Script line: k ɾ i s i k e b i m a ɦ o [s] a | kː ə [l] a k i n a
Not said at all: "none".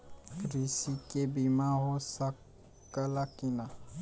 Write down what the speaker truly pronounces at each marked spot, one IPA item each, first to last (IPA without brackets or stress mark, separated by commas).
s, l